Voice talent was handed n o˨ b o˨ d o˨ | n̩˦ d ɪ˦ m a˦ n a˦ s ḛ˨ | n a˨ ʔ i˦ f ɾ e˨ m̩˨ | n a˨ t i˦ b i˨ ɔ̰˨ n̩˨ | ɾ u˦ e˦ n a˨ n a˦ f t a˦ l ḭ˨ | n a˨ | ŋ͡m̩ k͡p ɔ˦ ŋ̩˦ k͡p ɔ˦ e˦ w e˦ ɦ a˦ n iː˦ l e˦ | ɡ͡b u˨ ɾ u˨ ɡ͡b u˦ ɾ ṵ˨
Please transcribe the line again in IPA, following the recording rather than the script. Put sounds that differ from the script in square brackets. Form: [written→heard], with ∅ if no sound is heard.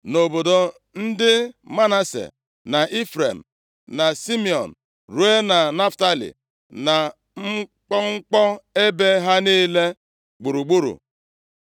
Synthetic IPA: n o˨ b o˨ d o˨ | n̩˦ d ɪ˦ m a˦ n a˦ s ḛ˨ | n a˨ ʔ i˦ f ɾ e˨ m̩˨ | n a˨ [t→s] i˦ [b→m] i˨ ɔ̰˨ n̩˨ | ɾ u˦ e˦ n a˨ n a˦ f t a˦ l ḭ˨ | n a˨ | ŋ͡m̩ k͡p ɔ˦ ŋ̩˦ k͡p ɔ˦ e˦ [w→b] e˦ ɦ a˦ n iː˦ l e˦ | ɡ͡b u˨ ɾ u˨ ɡ͡b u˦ ɾ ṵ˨